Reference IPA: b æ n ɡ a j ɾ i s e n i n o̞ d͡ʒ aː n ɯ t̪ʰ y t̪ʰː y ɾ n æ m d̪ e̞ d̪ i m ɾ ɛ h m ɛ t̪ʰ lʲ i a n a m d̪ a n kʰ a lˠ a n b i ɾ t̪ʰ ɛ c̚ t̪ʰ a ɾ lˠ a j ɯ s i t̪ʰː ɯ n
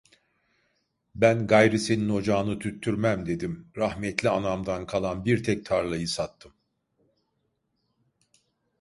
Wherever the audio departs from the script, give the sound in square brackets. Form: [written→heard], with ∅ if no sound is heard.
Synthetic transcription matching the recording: b æ n ɡ a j ɾ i s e n i n o̞ d͡ʒ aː n ɯ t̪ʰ y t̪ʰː y ɾ [n→m] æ m d̪ e̞ d̪ i m ɾ [ɛ→a] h m ɛ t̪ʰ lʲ i a n a m d̪ a n kʰ a lˠ a n b i ɾ t̪ʰ ɛ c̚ t̪ʰ a ɾ lˠ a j ɯ s [i→a] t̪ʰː ɯ [n→m]